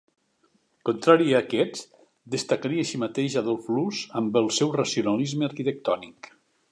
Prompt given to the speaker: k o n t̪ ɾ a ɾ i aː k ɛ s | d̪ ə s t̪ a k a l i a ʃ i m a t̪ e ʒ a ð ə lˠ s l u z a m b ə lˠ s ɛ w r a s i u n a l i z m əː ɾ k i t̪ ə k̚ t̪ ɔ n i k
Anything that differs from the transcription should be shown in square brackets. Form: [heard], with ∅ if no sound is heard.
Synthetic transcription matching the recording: k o n t̪ ɾ a ɾ i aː k ɛ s | d̪ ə s t̪ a k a [ɾ] i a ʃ i m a t̪ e ʒ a ð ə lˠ [f] l u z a m b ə lˠ s ɛ w r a s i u n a l i z m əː ɾ k i t̪ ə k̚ t̪ ɔ n i k